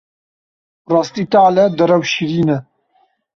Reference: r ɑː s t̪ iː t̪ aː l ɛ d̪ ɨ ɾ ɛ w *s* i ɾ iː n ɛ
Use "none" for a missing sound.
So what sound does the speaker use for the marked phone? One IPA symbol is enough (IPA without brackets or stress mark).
ʃ